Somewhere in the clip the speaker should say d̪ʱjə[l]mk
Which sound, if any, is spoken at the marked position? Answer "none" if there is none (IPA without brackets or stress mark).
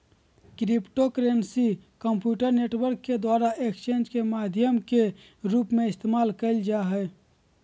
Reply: none